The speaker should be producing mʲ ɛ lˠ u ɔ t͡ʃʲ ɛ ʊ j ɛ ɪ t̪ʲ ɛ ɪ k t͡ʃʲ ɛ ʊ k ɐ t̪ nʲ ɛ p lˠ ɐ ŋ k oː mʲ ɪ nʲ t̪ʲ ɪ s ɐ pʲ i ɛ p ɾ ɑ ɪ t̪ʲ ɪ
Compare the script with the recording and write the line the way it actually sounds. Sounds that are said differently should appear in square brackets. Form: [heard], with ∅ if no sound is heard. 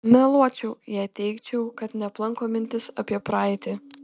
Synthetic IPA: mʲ ɛ lˠ u ɔ t͡ʃʲ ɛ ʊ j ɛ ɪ t̪ʲ ɛ ɪ k t͡ʃʲ ɛ ʊ k ɐ t̪ nʲ ɛ p lˠ ɐ ŋ k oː mʲ ɪ nʲ t̪ʲ ɪ s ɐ pʲ i ɛ p ɾ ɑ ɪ t̪ʲ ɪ